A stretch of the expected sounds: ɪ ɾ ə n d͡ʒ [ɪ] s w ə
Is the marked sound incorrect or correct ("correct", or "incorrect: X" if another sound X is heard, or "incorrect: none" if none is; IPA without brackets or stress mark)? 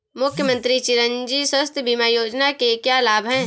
incorrect: i